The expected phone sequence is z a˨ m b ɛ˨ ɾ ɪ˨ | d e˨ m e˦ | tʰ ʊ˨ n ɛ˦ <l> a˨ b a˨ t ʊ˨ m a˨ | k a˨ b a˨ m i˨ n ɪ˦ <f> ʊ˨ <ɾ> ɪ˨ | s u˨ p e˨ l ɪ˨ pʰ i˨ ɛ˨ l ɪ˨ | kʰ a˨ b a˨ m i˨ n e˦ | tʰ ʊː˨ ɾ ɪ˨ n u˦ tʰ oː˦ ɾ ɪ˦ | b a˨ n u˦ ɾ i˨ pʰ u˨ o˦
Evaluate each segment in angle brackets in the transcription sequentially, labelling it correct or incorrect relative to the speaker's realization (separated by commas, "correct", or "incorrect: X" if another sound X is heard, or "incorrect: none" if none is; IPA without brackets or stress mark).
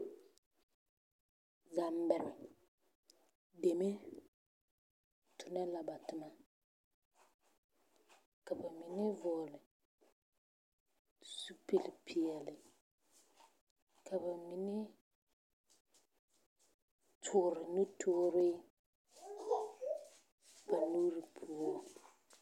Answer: correct, incorrect: v, incorrect: l